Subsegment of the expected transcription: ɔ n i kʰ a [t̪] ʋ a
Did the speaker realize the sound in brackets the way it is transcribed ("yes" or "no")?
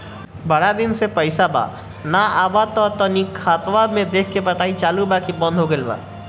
yes